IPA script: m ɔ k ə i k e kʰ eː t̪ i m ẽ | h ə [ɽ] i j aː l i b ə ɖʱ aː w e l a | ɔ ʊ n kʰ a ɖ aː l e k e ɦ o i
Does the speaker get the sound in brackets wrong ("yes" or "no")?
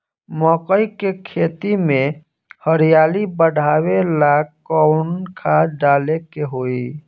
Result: yes